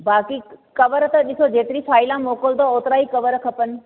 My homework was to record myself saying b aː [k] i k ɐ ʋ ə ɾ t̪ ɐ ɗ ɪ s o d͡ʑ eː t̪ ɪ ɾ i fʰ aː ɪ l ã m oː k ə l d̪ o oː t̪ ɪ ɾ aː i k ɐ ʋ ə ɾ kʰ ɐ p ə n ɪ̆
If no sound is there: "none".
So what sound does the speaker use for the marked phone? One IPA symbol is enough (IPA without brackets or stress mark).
k